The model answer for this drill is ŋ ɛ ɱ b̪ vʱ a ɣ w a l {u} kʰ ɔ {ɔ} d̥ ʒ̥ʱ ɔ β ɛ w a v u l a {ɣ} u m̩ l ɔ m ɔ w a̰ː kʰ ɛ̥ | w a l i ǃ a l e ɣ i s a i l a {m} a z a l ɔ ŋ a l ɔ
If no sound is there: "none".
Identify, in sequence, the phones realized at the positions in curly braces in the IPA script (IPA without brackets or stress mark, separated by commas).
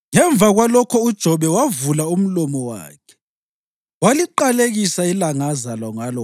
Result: ɔ, u, none, ŋ